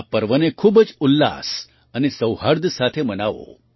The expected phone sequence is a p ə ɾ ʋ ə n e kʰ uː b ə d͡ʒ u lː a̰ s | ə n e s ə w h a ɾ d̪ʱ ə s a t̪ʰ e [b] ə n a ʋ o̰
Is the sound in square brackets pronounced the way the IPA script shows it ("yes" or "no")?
no